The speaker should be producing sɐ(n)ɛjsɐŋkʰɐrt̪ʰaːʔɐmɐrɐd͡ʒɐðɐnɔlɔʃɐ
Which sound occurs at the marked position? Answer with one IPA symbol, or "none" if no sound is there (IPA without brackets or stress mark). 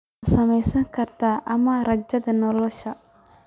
m